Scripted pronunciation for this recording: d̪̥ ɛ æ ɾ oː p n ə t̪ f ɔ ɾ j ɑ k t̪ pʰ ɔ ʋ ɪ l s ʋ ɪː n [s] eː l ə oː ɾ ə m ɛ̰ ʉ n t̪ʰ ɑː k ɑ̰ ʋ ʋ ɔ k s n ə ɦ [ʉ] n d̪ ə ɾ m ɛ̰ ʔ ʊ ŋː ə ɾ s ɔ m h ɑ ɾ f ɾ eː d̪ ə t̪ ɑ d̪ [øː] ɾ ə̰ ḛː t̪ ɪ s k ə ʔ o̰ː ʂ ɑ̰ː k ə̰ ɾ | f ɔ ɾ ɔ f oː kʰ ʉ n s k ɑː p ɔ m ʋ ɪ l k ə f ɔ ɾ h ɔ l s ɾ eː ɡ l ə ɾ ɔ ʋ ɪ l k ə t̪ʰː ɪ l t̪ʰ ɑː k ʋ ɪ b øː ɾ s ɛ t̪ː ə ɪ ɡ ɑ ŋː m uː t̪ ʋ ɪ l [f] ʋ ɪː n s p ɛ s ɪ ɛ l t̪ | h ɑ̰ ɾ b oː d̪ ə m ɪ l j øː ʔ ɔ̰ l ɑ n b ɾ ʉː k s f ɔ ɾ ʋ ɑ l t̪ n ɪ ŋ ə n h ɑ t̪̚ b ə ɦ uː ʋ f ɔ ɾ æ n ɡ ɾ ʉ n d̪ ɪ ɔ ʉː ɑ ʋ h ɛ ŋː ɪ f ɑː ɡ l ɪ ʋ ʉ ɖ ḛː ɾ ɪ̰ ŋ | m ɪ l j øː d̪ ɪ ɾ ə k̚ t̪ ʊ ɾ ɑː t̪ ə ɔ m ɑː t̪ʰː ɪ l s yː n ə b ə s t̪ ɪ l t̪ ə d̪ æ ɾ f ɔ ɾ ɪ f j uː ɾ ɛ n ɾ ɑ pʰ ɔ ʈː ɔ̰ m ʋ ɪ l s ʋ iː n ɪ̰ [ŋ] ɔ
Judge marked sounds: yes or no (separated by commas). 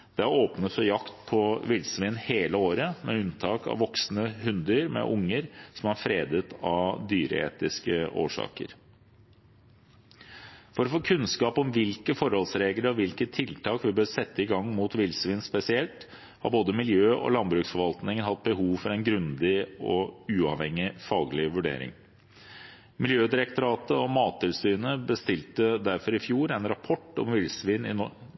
no, yes, no, no, no